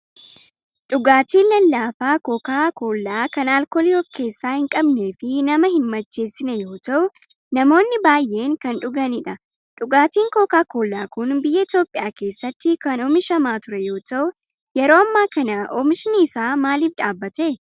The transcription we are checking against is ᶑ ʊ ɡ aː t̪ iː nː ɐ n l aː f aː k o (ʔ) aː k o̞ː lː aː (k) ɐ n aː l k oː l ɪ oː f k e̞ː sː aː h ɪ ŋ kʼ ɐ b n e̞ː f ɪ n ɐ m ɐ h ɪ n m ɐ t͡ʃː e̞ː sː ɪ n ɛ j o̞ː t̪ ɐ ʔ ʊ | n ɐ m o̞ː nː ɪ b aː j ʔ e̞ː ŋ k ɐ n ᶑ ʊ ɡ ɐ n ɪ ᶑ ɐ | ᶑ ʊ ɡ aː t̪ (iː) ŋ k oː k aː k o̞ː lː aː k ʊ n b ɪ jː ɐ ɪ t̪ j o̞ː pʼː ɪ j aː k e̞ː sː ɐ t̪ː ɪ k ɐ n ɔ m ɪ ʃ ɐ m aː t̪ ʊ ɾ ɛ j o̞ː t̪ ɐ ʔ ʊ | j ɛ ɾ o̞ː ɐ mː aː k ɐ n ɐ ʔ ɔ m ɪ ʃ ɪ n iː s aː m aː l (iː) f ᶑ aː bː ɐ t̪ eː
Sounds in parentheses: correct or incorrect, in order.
incorrect, correct, correct, correct

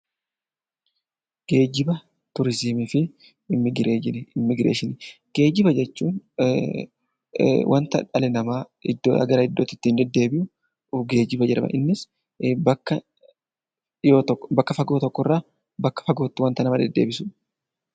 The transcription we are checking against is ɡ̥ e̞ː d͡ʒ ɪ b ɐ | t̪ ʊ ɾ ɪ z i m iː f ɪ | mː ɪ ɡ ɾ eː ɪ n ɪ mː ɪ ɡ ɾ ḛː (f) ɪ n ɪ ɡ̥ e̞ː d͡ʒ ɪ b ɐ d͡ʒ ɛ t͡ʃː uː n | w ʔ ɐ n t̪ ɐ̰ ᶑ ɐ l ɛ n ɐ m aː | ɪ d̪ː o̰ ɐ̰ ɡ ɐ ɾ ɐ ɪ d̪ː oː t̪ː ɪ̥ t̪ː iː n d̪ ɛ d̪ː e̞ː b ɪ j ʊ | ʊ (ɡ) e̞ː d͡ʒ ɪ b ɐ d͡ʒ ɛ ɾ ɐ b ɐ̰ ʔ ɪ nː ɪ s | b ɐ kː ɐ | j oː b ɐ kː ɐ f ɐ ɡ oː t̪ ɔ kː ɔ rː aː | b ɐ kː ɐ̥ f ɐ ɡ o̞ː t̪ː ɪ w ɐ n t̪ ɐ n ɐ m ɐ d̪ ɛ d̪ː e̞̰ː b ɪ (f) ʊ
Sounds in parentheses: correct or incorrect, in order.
incorrect, correct, incorrect

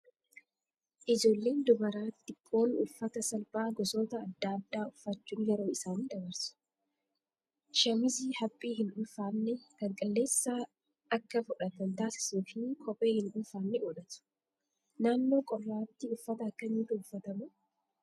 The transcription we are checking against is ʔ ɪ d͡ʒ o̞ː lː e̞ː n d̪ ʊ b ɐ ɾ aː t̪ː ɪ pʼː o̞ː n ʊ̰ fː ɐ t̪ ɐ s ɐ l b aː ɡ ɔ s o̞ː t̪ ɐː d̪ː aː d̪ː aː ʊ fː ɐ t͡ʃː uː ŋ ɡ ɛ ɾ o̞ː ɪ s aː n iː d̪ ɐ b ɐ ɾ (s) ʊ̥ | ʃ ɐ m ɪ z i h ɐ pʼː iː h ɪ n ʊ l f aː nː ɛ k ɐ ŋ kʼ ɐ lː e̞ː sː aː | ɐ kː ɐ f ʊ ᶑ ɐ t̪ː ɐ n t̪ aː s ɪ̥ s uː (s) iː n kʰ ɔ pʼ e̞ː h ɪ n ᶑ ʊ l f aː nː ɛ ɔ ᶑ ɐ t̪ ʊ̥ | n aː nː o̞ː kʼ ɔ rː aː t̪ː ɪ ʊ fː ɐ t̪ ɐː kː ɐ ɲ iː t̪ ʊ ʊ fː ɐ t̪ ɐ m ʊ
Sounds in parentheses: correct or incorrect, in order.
correct, incorrect

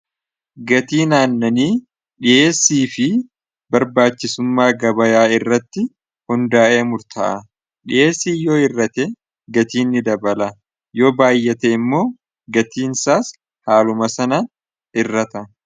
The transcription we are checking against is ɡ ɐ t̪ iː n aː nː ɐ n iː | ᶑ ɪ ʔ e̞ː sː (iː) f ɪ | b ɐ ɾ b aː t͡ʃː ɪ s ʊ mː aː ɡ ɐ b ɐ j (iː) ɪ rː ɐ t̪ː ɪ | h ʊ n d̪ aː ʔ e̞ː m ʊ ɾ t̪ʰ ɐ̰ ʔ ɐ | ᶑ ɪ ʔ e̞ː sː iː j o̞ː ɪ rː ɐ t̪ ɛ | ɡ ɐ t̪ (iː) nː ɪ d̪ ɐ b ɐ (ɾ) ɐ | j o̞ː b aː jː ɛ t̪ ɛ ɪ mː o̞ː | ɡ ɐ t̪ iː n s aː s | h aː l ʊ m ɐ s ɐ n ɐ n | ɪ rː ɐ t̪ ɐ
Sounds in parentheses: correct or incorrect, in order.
correct, incorrect, correct, incorrect

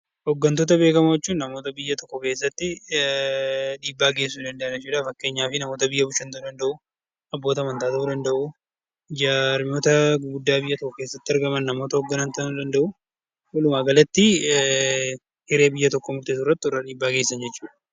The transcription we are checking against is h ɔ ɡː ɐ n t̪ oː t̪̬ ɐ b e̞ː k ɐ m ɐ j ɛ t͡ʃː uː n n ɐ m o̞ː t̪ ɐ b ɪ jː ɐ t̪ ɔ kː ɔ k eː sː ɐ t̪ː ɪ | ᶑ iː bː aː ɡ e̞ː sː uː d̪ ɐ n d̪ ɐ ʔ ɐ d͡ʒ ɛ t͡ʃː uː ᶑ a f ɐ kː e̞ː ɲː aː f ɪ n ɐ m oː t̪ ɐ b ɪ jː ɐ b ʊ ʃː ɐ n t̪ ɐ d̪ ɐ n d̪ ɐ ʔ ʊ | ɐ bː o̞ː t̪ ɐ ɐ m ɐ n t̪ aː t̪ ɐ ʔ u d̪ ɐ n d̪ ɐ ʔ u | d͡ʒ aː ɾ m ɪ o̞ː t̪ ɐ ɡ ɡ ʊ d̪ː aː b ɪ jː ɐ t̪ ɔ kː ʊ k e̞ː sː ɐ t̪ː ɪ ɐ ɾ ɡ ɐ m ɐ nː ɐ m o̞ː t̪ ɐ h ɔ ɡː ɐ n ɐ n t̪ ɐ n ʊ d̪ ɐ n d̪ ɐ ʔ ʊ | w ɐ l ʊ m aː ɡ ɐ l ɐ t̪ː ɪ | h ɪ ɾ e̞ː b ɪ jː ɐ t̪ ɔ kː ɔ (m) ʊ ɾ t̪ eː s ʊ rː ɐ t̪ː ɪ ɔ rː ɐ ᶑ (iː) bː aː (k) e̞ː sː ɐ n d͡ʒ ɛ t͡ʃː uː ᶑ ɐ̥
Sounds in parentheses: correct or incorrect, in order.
correct, correct, incorrect

